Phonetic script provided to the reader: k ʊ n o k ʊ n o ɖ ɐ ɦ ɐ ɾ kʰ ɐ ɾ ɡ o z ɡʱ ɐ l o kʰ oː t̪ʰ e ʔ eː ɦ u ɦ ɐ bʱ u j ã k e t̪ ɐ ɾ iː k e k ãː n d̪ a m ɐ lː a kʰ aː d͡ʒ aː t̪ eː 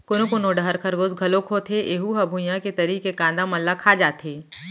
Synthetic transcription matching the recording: k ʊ n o k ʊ n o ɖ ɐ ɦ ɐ ɾ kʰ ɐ ɾ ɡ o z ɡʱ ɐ l o kʰ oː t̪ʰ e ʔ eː ɦ u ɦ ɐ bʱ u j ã k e t̪ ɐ ɾ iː k e k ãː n d̪ a m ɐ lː a kʰ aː d͡ʒ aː t̪ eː